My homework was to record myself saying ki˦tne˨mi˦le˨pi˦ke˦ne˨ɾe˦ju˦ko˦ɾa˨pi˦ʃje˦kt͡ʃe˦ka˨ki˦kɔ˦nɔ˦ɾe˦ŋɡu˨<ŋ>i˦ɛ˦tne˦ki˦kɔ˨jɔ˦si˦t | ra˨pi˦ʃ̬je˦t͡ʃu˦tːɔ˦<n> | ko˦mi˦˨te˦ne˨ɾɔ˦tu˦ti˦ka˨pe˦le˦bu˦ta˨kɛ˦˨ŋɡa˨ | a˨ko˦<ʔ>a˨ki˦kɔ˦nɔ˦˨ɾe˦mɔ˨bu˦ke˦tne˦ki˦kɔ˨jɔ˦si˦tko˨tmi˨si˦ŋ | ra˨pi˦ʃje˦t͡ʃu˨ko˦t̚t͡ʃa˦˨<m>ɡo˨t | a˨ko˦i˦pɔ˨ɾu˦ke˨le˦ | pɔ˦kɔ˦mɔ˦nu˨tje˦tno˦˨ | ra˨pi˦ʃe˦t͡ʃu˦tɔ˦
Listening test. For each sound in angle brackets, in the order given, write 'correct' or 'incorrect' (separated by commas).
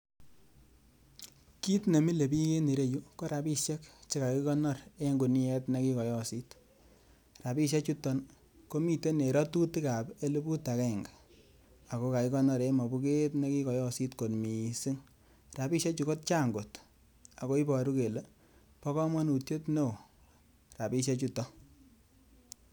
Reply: incorrect, correct, incorrect, incorrect